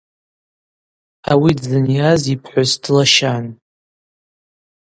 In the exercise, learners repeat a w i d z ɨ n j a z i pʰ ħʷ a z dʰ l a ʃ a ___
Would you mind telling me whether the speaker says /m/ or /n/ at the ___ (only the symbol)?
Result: n